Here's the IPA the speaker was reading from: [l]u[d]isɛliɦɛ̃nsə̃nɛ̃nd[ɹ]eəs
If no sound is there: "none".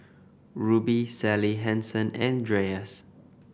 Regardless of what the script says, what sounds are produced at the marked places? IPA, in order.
ɹ, b, ɹ

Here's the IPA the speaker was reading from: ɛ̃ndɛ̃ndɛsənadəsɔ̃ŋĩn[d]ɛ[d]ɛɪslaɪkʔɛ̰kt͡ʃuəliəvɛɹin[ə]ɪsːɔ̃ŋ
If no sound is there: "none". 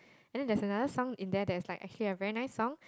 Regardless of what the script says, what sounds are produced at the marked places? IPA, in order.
d, d, a

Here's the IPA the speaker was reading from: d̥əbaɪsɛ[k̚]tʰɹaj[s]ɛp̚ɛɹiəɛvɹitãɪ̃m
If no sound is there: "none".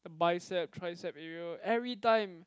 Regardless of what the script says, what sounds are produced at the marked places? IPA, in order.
p̚, s

